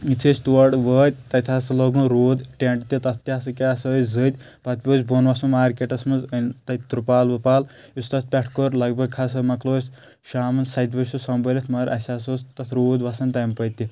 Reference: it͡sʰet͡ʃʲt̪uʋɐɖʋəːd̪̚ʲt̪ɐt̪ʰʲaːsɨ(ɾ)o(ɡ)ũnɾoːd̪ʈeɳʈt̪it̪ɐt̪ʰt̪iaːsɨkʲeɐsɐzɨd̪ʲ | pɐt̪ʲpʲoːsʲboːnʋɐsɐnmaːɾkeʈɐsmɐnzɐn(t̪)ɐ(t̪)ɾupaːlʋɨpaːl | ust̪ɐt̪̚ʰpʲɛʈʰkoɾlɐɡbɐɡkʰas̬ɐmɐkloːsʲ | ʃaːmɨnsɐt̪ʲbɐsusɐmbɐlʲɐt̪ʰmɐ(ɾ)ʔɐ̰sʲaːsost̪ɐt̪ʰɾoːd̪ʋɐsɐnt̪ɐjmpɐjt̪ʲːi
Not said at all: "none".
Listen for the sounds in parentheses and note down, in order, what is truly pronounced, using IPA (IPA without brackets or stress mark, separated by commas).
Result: l, ɡ, t̪, t̪, ɾ